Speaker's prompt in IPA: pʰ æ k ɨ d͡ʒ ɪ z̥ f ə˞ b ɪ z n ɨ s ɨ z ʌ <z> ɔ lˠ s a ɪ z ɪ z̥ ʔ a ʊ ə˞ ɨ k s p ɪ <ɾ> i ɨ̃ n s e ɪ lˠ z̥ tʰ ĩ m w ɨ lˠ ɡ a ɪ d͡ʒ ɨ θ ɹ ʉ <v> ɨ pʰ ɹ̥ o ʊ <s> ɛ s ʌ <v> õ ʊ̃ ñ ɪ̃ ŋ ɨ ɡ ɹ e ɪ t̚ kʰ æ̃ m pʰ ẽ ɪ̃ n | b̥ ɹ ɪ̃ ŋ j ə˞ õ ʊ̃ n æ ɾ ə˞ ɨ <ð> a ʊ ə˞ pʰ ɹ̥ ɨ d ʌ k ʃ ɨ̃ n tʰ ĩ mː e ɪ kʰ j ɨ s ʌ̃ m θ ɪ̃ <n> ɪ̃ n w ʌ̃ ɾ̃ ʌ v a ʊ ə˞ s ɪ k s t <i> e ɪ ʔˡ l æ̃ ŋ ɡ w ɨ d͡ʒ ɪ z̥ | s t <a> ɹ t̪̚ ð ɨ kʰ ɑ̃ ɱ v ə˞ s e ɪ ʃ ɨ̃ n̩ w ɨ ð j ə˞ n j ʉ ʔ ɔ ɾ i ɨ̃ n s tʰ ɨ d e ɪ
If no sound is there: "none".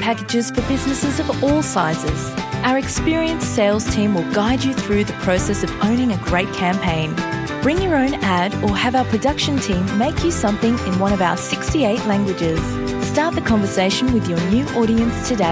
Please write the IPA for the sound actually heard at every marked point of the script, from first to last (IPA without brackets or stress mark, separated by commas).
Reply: v, ɹ, ð, s, v, v, ŋ, i, ɑ